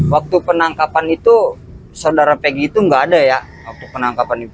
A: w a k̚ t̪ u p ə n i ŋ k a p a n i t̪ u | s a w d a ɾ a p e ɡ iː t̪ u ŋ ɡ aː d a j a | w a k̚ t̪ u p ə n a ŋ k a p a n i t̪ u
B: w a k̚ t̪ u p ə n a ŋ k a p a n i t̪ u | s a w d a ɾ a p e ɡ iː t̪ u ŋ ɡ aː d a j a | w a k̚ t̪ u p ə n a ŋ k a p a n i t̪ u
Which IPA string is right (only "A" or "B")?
B